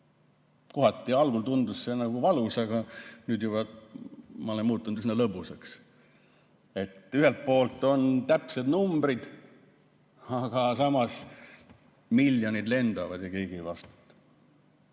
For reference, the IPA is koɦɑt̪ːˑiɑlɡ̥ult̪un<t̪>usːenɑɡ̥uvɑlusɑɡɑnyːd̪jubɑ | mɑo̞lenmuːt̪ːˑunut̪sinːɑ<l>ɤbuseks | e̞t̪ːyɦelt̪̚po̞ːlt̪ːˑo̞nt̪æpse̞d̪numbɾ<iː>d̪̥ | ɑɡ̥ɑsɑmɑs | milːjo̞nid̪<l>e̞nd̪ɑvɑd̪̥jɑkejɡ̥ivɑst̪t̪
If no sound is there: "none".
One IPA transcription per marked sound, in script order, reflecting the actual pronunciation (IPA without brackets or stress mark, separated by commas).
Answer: d̪, l, i, l